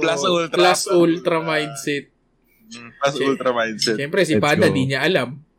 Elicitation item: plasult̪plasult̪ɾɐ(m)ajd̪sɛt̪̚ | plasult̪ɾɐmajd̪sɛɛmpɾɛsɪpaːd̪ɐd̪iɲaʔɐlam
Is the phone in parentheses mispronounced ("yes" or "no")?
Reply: no